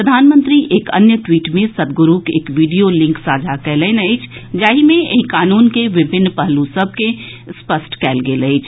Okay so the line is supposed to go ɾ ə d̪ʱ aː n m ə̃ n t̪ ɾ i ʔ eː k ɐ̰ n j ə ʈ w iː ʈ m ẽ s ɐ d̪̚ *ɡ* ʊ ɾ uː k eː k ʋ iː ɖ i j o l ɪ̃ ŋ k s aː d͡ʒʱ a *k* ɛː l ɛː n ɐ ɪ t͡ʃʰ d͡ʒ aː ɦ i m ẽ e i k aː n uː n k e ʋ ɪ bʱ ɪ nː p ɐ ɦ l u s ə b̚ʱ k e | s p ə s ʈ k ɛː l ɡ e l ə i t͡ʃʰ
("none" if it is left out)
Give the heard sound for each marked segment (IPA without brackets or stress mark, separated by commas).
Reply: ɡ, k